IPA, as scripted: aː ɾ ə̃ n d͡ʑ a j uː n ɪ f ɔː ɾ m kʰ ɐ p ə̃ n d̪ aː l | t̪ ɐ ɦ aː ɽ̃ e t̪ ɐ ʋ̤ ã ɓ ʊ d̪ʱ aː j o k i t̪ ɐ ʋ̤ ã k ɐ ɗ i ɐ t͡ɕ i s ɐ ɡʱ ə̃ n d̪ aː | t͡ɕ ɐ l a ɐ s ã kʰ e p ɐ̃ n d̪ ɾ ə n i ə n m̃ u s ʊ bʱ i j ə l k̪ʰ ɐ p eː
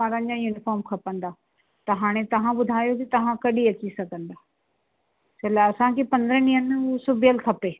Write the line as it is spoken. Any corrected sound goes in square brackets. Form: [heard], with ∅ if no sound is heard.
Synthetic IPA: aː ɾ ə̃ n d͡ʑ a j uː n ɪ f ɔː ɾ m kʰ ɐ p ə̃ n d̪ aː [∅] | t̪ ɐ ɦ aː ɽ̃ e t̪ ɐ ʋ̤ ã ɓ ʊ d̪ʱ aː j o k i t̪ ɐ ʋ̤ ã k ɐ ɗ i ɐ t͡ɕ i s ɐ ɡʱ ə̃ n d̪ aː | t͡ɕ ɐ l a ɐ s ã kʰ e p ɐ̃ n d̪ ɾ ə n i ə n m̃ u s ʊ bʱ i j ə l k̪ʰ ɐ p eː